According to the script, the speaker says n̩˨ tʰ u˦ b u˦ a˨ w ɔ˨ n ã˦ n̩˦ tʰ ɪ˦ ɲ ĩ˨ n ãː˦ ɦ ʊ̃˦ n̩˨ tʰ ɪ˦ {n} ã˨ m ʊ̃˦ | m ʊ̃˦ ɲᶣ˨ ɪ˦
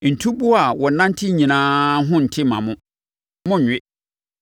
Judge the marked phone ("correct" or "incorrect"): incorrect